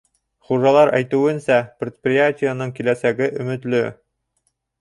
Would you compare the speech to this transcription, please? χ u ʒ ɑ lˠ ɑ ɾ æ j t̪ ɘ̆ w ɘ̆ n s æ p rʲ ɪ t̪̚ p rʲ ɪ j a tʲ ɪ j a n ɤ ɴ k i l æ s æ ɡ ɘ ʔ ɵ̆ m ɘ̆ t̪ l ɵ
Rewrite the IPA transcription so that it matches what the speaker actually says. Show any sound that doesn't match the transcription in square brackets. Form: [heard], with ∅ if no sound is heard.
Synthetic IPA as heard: χ u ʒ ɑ lˠ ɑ ɾ æ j t̪ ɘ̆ w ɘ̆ n s æ p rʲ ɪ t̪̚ p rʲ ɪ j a tʲ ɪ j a n ɤ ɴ k i l æ s æ ɡ ɘ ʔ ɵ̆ m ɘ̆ t̪ l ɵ

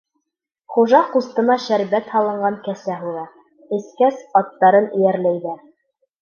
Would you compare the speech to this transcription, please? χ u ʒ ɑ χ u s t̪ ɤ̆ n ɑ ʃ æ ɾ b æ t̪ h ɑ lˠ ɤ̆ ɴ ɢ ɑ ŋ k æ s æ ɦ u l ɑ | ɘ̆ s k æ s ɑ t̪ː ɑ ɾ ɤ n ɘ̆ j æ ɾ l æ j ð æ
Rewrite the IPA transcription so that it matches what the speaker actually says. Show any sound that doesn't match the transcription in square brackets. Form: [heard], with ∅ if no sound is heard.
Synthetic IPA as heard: χ u ʒ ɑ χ u s t̪ ɤ̆ n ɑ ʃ æ ɾ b æ t̪ h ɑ lˠ ɤ̆ ɴ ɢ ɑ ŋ k æ s æ ɦ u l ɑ | ɘ̆ s k æ s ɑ t̪ː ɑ ɾ ɤ n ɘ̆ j æ ɾ l æ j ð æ

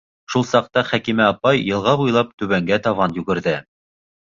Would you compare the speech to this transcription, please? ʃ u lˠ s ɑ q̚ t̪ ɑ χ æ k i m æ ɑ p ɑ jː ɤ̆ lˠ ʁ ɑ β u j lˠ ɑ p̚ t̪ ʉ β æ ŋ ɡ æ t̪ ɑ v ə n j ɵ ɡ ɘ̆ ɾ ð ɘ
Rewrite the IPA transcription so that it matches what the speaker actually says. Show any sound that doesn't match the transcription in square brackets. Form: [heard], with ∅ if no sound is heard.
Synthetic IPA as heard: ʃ u lˠ s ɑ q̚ t̪ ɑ χ æ k i m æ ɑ p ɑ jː ɤ̆ lˠ ʁ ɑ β u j lˠ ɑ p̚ t̪ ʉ β æ ŋ ɡ æ t̪ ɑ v [ɑ] n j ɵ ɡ ɘ̆ ɾ ð ɘ

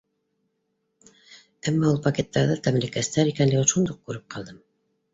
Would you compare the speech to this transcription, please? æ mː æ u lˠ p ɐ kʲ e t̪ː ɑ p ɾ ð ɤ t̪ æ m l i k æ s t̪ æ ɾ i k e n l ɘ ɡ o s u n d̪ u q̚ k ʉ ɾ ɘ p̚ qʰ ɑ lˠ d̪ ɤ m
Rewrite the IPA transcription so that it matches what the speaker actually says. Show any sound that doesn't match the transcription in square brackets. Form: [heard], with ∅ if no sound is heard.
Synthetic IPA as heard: æ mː æ u lˠ p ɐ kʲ e t̪ː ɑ [∅] ɾ ð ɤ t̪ æ m l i k æ s t̪ æ ɾ i k [æ] n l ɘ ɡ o [ʃ] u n d̪ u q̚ k ʉ ɾ ɘ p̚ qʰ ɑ lˠ d̪ ɤ m

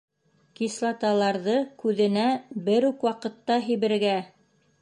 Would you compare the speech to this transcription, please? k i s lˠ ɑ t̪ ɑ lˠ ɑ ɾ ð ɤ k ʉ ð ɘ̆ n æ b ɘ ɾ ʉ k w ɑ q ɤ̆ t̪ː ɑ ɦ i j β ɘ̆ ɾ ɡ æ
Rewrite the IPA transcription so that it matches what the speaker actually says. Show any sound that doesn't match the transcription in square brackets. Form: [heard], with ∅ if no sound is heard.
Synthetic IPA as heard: k i s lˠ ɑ t̪ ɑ lˠ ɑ ɾ ð ɤ k ʉ ð ɘ̆ n æ b ɘ ɾ ʉ k w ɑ q ɤ̆ t̪ː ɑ ɦ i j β ɘ̆ ɾ ɡ æ

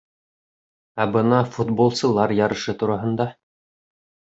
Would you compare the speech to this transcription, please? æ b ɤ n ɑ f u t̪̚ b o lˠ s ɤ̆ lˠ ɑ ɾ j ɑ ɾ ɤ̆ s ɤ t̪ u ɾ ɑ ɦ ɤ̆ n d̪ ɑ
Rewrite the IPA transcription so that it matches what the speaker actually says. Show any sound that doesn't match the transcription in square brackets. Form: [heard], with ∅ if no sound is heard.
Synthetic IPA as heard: æ b ɤ n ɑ f u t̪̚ b o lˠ s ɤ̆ lˠ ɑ ɾ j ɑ ɾ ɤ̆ [ʃ] ɤ t̪ u ɾ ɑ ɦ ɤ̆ n d̪ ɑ

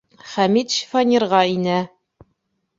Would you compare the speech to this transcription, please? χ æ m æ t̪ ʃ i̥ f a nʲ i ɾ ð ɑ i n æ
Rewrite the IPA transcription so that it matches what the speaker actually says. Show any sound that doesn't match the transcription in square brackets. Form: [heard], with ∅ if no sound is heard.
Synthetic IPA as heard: χ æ m [i] t̪ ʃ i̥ f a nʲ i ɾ [ʁ] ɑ i n æ

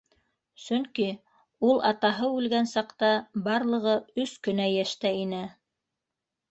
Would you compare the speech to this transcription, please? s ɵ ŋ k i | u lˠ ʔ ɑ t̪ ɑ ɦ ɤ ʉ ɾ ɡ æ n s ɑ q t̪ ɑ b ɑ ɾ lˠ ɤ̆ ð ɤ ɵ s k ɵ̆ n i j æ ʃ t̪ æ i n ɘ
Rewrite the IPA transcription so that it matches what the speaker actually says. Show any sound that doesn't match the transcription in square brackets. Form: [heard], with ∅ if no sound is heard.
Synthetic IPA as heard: s ɵ ŋ k i | u lˠ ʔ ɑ t̪ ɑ ɦ ɤ ʉ [l] ɡ æ n s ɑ q t̪ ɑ b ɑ ɾ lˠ ɤ̆ [ʁ] ɤ ɵ s k ɵ̆ n [æ] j æ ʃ t̪ æ i n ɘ

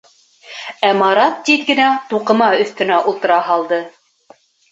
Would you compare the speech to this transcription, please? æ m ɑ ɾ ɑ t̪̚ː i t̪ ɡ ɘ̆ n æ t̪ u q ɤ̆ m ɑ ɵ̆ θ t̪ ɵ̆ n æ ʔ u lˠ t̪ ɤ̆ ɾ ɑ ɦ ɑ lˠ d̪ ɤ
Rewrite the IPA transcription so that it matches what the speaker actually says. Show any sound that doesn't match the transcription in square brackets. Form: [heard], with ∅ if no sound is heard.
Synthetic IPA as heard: æ m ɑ ɾ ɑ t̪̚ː i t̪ ɡ ɘ̆ n æ t̪ u q ɤ̆ m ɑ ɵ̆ θ t̪ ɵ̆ n æ ʔ u lˠ t̪ ɤ̆ ɾ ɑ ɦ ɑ lˠ d̪ ɤ

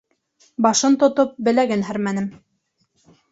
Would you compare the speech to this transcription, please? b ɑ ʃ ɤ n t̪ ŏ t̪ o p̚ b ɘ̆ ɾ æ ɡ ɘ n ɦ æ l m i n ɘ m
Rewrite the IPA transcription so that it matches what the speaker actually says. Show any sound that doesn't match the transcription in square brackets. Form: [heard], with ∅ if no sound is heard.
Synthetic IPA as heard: b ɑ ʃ ɤ n t̪ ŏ t̪ o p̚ b ɘ̆ [l] æ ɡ ɘ n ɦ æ [ɾ] m [æ] n ɘ m

